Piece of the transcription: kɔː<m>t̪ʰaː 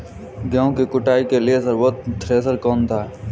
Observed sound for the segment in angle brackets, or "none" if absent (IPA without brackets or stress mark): n